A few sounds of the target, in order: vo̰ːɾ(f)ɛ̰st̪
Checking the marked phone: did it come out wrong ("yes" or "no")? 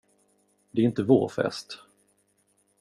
no